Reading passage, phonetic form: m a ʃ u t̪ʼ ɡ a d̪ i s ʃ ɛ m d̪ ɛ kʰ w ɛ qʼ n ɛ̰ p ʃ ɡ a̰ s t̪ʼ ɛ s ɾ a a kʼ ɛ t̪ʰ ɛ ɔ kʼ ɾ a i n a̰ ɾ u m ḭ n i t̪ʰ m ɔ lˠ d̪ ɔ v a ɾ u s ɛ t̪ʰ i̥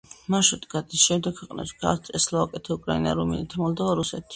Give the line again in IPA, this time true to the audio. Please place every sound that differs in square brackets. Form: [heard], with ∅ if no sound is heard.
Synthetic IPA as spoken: m a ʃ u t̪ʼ ɡ a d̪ i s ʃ ɛ m d̪ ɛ kʰ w ɛ qʼ n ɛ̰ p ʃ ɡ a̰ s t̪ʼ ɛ s [l] a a kʼ ɛ t̪ʰ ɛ [u] kʼ ɾ a i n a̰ ɾ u m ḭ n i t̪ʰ m ɔ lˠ d̪ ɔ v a ɾ u s ɛ t̪ʰ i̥